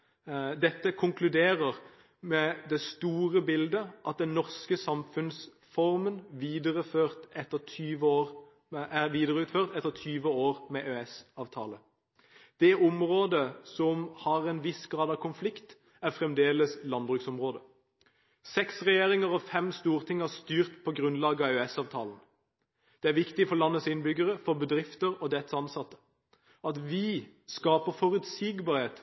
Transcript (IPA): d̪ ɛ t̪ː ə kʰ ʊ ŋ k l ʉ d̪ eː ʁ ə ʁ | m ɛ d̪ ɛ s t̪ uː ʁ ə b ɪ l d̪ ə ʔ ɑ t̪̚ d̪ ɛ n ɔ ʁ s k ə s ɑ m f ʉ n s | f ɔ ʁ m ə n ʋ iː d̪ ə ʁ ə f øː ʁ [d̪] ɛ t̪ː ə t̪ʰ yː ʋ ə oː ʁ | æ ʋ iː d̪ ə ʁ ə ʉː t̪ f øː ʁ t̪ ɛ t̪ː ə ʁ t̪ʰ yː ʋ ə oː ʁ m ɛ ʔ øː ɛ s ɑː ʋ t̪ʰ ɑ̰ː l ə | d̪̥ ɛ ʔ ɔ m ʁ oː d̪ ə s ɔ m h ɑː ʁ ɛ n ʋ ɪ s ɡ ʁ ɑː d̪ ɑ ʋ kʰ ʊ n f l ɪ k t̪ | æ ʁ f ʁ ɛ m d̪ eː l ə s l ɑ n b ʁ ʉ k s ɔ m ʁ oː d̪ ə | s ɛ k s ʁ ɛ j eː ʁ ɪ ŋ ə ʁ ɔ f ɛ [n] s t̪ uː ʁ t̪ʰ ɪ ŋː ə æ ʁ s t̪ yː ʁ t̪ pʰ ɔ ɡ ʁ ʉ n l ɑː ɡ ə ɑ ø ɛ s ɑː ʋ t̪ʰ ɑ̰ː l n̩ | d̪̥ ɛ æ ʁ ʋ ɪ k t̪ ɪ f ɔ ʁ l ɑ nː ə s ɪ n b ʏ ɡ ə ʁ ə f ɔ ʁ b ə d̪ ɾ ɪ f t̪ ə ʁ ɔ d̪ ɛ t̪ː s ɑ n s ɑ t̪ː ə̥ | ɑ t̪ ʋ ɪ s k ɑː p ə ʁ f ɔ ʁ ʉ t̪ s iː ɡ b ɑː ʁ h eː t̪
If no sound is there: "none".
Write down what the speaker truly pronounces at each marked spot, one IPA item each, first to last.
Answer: t̪, m

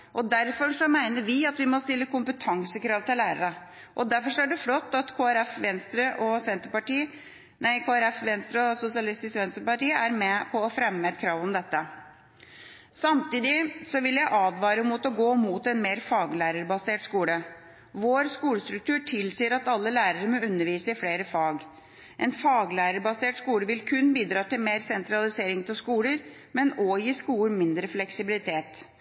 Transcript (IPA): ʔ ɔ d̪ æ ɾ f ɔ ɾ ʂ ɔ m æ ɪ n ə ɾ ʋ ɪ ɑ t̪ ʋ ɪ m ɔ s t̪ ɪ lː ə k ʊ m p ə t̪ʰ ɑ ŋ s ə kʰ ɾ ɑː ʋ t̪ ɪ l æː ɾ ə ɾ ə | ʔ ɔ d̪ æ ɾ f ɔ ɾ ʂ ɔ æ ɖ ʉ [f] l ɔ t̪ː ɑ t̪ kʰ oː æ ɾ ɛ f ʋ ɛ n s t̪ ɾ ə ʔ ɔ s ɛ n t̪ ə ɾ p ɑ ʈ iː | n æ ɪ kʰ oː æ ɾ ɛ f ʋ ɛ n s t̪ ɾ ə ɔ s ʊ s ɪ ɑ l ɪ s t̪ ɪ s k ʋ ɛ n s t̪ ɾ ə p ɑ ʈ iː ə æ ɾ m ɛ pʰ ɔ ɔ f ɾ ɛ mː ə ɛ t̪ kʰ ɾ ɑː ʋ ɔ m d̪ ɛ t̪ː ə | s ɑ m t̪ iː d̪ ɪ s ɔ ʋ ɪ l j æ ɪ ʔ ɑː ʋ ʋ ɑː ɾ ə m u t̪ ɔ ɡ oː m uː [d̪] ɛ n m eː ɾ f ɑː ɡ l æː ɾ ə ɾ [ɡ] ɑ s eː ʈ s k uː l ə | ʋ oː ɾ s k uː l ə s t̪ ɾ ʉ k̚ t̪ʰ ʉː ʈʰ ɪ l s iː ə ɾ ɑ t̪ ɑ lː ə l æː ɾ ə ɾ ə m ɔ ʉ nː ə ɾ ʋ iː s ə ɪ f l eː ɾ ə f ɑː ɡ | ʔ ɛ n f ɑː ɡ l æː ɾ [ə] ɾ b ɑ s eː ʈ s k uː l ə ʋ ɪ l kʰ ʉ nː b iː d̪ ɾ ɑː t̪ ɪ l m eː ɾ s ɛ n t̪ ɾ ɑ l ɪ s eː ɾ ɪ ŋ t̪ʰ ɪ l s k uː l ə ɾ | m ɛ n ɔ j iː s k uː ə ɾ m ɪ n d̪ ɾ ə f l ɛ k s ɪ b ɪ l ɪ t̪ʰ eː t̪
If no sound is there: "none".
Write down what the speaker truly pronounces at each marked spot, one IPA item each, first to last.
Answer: f, t̪, b, ə

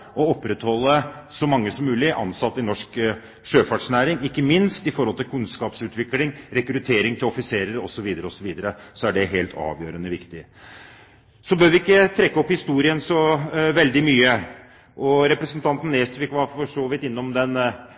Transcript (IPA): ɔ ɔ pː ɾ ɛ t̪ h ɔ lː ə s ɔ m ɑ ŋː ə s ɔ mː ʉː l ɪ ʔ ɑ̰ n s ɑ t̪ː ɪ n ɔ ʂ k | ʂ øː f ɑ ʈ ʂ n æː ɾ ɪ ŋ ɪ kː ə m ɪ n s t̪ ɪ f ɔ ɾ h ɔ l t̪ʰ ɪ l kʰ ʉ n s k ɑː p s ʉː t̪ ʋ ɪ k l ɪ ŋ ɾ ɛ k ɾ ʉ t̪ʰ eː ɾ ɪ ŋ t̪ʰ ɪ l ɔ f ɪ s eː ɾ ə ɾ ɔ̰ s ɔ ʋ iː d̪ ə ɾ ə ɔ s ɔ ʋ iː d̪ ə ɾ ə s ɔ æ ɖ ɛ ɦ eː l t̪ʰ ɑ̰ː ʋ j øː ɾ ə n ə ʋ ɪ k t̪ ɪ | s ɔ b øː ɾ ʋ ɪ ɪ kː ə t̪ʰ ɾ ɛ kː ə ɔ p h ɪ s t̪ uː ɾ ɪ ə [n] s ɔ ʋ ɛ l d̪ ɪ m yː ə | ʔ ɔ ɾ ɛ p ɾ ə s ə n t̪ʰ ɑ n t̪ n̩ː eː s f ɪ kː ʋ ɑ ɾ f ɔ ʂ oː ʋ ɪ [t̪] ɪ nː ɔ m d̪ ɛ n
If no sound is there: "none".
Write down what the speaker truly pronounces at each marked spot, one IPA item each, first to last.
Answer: n, t̪

